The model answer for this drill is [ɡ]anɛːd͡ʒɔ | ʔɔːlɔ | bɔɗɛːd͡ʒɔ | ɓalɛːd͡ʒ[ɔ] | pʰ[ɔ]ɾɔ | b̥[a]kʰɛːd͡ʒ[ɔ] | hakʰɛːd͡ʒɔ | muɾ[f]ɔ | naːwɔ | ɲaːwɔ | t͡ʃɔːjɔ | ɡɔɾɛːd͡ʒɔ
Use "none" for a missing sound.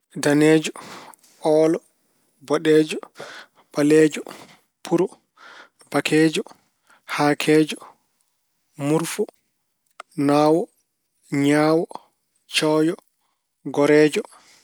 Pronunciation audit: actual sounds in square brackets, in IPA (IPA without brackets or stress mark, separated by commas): d, ɔ, u, a, ɔ, f